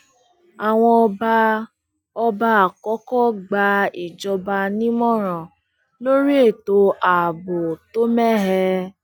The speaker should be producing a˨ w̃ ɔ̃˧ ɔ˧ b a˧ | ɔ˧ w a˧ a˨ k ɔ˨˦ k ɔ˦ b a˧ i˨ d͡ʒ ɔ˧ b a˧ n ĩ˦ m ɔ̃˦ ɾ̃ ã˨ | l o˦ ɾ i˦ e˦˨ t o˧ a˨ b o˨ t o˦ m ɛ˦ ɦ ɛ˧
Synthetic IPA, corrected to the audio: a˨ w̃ ɔ̃˧ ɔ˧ b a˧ | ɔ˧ b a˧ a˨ k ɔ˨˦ k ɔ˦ ɡ͡b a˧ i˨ d͡ʒ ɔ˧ b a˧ n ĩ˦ m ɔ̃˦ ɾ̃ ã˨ | l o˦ ɾ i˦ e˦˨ t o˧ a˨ b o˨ t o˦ m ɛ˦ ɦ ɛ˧

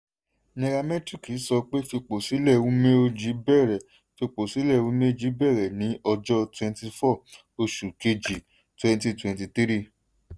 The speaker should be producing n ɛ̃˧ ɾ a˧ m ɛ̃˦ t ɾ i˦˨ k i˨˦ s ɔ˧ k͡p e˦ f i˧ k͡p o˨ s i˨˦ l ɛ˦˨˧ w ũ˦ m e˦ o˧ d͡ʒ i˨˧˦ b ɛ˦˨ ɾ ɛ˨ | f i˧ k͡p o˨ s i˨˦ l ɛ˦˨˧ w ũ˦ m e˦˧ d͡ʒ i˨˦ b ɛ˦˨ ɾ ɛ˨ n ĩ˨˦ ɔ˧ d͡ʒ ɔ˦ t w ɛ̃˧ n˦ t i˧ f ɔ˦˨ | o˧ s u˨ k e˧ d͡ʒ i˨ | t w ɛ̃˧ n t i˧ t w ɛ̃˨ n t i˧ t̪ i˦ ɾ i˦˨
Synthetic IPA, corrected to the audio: n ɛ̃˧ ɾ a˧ m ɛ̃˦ t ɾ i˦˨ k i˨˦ s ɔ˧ k͡p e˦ f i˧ k͡p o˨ s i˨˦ l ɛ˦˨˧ w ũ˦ m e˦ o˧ d͡ʒ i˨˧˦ b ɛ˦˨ ɾ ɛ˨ | f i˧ k͡p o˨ s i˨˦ l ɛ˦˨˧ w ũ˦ m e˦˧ d͡ʒ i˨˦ b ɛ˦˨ ɾ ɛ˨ n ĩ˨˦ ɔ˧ d͡ʒ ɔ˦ t w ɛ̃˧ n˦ t i˧ f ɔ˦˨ | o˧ ʃ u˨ k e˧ d͡ʒ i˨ | t w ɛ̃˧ n t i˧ t w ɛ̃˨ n t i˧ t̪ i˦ ɾ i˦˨

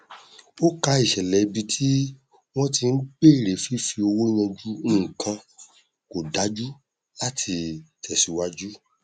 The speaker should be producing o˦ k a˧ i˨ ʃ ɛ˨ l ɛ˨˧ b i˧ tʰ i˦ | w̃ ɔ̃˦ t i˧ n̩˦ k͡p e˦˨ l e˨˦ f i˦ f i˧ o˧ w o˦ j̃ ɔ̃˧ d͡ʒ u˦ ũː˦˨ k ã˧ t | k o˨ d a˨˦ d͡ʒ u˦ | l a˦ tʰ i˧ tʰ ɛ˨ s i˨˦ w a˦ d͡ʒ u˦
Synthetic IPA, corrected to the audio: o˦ k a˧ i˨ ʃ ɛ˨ l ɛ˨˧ b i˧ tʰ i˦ | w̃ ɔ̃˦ t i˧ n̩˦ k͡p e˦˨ ɾ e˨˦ f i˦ f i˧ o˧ w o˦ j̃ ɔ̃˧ d͡ʒ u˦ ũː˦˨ k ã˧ | k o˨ d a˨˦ d͡ʒ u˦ | l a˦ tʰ i˧ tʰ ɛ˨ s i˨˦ w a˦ d͡ʒ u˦

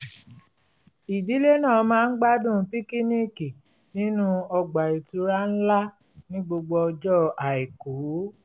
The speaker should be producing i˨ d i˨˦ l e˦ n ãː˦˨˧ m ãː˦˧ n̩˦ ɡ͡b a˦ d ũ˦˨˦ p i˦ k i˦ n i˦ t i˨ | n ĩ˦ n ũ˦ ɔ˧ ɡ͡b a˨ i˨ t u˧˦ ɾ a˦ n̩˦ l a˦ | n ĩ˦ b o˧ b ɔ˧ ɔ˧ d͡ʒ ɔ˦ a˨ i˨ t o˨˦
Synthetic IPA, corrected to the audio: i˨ d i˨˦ l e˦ n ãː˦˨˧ m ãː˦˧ n̩˦ ɡ͡b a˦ d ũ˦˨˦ p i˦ k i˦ n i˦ k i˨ | n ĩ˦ n ũ˦ ɔ˧ ɡ͡b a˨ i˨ t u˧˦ ɾ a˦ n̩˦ l a˦ | n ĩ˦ ɡ͡b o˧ ɡ͡b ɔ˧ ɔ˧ d͡ʒ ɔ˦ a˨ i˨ k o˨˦

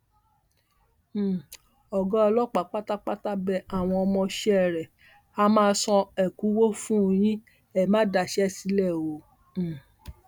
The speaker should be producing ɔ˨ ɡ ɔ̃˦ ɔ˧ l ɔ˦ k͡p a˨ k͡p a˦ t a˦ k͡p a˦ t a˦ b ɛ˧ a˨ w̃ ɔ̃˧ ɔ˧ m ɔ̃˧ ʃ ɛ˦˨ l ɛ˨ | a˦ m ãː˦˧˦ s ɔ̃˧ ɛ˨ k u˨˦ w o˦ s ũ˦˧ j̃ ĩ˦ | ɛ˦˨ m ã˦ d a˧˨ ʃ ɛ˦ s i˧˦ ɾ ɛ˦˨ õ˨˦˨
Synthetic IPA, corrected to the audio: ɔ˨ ɡ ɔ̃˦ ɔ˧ l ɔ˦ k͡p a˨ k͡p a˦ t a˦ k͡p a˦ t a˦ b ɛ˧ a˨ w̃ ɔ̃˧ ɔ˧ m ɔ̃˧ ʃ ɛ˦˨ ɾ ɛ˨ | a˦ m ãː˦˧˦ s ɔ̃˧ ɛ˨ k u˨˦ w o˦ f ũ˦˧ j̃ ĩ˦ | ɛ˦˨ m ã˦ d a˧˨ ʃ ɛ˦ s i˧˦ l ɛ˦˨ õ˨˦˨

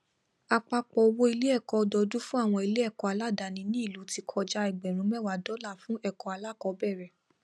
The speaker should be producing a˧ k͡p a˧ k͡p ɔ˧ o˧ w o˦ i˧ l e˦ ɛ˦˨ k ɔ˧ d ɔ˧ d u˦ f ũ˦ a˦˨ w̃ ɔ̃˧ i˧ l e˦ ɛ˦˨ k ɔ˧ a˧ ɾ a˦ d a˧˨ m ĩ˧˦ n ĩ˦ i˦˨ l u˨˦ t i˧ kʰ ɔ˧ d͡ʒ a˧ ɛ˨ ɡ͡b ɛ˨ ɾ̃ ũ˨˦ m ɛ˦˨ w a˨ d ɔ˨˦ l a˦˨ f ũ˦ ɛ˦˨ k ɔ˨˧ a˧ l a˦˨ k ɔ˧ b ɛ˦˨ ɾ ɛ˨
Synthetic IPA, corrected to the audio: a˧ k͡p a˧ k͡p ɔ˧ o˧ w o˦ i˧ l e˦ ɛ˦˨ k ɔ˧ d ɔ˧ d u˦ f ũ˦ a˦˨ w̃ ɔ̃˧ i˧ l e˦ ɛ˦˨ k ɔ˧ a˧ l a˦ d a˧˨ n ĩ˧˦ n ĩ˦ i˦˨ l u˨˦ t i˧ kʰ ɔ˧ d͡ʒ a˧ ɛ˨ ɡ͡b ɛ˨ ɾ̃ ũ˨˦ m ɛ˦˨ w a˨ d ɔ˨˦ l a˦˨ f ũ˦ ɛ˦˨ k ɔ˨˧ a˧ l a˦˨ k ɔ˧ b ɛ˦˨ ɾ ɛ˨

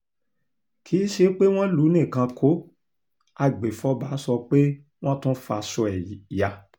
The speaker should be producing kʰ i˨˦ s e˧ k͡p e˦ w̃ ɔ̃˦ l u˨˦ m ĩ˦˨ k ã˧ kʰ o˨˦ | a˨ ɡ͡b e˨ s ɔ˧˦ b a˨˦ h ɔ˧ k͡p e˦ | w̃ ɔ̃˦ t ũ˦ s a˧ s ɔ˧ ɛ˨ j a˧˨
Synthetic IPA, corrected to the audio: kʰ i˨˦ ʃ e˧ k͡p e˦ w̃ ɔ̃˦ l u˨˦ n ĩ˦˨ k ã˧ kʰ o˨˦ | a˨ ɡ͡b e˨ f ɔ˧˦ b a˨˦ s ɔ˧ k͡p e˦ | w̃ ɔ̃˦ t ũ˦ f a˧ s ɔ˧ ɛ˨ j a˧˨

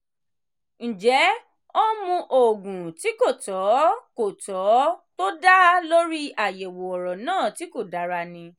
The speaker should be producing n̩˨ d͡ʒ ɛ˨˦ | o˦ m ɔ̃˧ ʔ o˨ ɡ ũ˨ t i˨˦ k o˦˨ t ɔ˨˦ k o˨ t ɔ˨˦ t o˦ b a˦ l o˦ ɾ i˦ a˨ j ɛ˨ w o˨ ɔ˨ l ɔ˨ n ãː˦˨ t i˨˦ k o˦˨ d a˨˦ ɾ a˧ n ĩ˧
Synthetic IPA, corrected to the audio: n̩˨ d͡ʒ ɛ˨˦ | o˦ m ũ˧ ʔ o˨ ɡ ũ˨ t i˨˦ k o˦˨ t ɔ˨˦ k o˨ t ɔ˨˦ t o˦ d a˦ l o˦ ɾ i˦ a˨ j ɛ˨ w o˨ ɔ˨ ɾ ɔ˨ n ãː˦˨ t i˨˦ k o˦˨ d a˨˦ ɾ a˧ n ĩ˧

